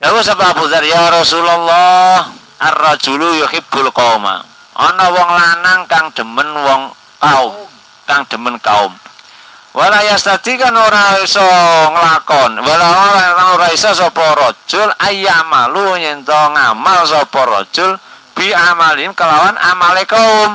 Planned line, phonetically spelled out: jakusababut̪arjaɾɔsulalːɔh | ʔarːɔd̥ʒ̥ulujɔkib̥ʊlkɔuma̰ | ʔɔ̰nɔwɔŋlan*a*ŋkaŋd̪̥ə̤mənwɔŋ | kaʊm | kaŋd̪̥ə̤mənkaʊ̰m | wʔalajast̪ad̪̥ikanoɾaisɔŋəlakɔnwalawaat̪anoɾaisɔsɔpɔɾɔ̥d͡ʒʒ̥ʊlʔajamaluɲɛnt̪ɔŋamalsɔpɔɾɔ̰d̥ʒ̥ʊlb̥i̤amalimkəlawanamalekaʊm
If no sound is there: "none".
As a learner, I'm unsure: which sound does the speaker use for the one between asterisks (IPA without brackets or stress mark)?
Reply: a